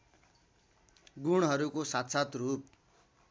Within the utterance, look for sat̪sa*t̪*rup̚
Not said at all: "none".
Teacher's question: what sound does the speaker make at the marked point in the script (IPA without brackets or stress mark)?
t̪